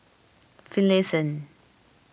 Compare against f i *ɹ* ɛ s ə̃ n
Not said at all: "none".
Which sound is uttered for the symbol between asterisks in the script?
l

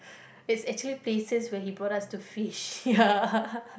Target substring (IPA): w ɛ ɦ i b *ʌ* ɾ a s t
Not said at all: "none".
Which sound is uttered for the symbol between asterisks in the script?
ɔ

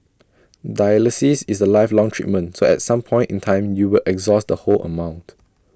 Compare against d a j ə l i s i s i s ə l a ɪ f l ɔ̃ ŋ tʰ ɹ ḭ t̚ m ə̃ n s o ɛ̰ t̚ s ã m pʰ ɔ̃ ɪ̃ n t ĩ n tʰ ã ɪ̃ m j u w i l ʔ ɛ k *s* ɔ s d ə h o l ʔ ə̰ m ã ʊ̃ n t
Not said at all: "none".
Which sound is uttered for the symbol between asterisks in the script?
z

